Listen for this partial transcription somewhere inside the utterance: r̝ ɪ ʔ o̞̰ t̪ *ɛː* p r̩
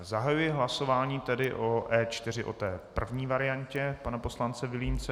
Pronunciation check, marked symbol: correct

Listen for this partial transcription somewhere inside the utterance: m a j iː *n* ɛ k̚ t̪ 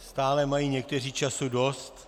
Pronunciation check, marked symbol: incorrect: ɲ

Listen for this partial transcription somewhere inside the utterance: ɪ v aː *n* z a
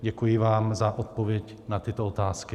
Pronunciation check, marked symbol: incorrect: m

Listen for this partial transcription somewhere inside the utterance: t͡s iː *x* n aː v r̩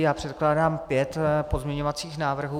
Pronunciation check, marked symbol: correct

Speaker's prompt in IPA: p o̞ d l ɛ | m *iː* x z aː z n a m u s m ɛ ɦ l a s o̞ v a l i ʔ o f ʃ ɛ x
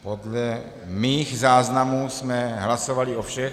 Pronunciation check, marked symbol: correct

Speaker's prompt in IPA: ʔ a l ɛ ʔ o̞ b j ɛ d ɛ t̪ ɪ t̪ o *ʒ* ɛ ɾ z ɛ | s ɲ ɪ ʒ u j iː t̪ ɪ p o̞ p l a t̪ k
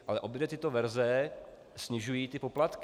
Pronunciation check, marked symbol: incorrect: v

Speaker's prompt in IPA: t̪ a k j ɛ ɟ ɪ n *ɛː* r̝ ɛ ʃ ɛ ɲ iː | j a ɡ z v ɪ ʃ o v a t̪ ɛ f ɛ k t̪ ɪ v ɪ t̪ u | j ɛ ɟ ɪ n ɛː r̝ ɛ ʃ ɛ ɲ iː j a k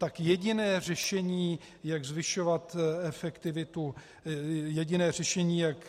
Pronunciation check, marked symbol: correct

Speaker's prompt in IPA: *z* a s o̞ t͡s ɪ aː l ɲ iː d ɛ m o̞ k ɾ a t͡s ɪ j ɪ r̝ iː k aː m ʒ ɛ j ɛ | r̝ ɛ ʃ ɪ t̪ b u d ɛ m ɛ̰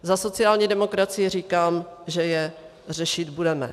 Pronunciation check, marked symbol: correct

